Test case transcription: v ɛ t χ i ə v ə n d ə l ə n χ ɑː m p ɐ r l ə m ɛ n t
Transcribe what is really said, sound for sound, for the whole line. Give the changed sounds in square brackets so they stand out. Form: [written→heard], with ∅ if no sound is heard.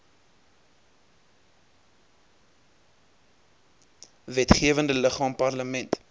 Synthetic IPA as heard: v ɛ t χ i ə v ə n d ə l ə [n→∅] χ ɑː m p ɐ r l ə m ɛ n t